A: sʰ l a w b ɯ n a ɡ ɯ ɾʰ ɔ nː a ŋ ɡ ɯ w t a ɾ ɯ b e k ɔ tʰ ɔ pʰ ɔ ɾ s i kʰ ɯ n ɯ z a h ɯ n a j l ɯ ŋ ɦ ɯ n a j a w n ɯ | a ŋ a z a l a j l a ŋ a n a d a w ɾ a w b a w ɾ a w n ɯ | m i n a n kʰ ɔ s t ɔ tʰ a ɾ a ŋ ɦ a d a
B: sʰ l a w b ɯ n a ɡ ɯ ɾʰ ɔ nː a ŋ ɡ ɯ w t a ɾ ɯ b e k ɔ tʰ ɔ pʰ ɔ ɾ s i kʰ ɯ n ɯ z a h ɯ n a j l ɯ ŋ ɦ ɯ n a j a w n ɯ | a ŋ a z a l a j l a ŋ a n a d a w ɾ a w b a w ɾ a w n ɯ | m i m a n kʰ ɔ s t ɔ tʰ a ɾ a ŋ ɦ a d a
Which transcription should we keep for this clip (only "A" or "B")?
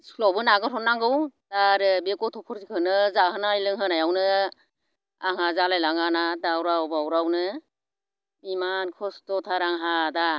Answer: B